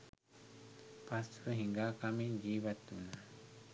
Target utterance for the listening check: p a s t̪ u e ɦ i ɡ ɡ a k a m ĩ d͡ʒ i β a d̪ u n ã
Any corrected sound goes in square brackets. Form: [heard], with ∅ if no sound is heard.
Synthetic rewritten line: p a s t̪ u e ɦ i [ŋ] ɡ a k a m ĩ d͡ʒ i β a [t̪] u n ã